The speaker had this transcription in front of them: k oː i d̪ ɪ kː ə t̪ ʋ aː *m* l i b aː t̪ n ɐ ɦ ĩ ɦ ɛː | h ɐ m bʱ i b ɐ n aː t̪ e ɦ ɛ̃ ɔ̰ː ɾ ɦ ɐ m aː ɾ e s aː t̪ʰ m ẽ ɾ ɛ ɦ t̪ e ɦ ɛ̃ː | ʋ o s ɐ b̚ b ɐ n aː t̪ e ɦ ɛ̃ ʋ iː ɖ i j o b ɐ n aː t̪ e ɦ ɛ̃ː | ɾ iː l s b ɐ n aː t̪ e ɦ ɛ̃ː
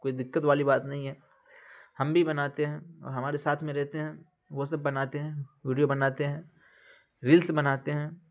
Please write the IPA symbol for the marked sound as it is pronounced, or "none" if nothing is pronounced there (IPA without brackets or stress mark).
none